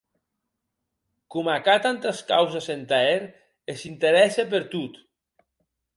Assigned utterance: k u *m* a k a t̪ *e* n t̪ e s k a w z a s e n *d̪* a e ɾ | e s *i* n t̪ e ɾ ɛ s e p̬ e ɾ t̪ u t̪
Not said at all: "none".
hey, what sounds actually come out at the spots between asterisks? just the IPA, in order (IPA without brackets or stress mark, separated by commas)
m, a, t̪, i